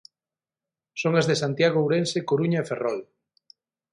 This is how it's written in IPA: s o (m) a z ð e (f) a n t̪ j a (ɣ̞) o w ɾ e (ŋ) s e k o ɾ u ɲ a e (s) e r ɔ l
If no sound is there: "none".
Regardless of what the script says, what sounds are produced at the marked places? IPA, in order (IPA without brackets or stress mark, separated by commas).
ŋ, s, ɣ̞, n, f